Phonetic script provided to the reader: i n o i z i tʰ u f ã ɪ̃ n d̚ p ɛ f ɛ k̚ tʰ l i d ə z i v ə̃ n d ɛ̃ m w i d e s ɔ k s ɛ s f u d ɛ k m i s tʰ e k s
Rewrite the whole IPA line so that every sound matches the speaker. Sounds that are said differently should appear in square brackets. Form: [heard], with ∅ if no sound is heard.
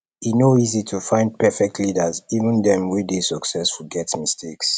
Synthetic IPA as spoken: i n o i z i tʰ u f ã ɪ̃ n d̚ p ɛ f ɛ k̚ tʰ l i d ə z i v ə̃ n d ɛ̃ m w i d e s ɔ k s ɛ s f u [ɡ] ɛ [t] m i s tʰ e k s

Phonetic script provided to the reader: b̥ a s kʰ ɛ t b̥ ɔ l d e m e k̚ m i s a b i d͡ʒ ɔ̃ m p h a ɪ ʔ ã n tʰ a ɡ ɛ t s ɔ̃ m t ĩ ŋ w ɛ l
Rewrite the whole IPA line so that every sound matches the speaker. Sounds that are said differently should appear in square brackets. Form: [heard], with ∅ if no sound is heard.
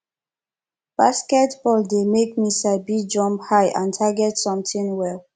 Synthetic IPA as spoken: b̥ a s [k] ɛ t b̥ ɔ l d e m e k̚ m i s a b i d͡ʒ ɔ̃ m p h a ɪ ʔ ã n tʰ a ɡ ɛ t s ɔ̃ m t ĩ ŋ w ɛ l

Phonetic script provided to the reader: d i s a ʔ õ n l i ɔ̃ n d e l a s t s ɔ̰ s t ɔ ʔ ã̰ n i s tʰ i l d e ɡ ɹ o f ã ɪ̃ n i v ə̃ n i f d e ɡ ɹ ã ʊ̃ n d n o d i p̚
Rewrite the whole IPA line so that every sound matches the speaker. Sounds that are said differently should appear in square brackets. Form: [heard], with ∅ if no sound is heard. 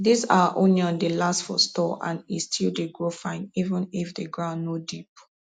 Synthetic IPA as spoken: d i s a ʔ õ n l i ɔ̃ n d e l a s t [f] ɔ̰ s t ɔ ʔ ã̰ n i s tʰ i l d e ɡ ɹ o f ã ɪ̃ n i v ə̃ n i f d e ɡ ɹ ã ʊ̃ n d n o d i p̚

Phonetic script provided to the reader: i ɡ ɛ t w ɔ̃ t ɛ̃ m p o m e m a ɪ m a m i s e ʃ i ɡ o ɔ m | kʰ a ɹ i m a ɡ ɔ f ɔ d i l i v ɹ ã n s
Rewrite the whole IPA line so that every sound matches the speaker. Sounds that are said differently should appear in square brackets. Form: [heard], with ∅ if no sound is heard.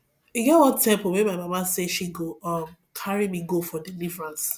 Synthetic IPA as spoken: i ɡ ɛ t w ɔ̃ t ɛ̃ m p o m e m a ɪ m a m [a] s e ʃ i ɡ o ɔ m | kʰ a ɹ i m [i] ɡ [o] f ɔ d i l i v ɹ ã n s

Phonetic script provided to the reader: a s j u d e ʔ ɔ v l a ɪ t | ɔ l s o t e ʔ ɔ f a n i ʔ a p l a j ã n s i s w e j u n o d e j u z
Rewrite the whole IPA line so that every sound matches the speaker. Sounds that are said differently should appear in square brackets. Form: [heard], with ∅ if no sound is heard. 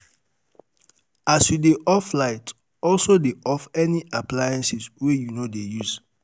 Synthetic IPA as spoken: a s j u d e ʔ ɔ [f] l a ɪ t | ɔ l s o [d] e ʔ ɔ f [ɛ] n i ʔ a p l a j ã n s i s w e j u n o d e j u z

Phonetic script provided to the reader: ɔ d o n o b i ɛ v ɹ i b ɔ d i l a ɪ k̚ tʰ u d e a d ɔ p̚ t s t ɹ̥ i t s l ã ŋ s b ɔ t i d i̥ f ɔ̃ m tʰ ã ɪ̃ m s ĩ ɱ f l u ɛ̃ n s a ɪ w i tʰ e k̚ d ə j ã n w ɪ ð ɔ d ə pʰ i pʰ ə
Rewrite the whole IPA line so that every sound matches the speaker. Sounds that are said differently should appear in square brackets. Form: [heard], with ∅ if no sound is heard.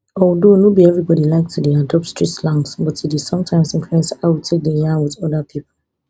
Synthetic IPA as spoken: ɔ d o n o b i ɛ v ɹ i b ɔ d i l a ɪ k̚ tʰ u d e a d ɔ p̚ t s t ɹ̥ i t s l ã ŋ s b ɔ t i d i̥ [s] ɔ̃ m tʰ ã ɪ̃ m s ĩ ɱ f l u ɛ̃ n s a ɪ w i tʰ e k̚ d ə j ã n w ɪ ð ɔ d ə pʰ i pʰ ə

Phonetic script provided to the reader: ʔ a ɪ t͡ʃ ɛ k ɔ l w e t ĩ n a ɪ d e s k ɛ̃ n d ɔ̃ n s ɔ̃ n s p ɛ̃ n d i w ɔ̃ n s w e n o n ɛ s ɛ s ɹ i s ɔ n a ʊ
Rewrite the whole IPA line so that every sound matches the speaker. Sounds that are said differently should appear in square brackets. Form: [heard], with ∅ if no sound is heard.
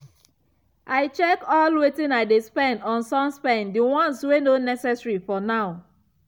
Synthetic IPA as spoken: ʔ a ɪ t͡ʃ ɛ k ɔ l w e t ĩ n a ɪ d e s [p] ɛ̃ n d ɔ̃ n s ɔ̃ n s p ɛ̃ n d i w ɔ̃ n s w e n o n ɛ s ɛ s ɹ i [f] ɔ n a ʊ

